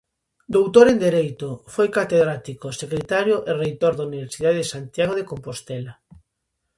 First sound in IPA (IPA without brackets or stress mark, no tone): d̪